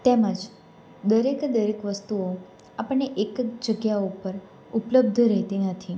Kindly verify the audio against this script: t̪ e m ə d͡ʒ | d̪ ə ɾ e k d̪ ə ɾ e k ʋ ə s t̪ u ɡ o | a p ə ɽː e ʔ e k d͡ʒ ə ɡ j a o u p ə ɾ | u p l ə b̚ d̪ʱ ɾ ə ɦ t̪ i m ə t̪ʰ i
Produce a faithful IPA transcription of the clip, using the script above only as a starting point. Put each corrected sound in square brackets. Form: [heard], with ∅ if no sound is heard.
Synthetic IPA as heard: t̪ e m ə d͡ʒ | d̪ ə ɾ e k d̪ ə ɾ e k ʋ ə s t̪ u [∅] o | a p ə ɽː e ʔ e k d͡ʒ ə ɡ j a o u p ə ɾ | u p l ə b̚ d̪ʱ ɾ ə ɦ t̪ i [n] ə t̪ʰ i